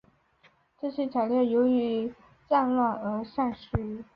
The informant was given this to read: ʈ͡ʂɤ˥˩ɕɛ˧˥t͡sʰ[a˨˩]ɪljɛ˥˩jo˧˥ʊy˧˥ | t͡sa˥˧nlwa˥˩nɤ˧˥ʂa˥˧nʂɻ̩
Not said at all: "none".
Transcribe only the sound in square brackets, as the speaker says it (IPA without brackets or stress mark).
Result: a˨˩